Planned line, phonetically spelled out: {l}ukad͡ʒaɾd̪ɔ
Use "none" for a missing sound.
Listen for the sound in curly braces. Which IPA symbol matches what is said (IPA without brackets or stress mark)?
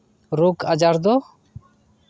ɾ